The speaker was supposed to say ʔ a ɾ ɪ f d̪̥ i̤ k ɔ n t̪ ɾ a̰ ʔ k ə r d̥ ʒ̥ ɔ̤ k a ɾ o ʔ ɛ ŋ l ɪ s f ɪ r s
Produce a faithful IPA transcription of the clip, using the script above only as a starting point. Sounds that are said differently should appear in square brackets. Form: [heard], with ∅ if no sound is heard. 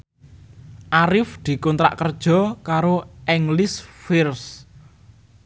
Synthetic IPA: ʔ a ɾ ɪ f d̪̥ i̤ k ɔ n t̪ ɾ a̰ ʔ k ə r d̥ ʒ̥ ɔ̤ k a ɾ o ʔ ɛ ŋ l ɪ s f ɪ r s